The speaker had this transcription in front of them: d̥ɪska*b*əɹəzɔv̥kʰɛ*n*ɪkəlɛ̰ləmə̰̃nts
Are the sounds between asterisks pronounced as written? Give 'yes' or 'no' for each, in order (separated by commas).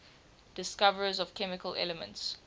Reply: no, no